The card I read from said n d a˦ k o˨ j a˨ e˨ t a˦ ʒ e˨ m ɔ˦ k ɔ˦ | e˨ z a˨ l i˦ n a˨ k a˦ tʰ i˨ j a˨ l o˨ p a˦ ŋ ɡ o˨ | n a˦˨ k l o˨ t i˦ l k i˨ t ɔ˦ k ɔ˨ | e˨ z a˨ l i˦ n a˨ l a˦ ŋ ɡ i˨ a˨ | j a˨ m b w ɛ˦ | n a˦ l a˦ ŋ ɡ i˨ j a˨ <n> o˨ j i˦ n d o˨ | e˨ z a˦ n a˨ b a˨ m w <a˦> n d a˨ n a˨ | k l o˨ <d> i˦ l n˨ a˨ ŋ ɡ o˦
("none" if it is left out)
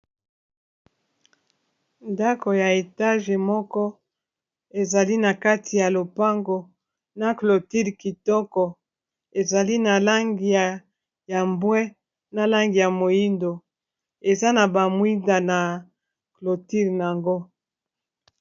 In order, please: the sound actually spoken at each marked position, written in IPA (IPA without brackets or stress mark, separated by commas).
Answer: m, i˦, t